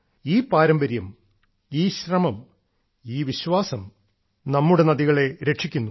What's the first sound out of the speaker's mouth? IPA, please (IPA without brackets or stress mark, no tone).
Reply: iː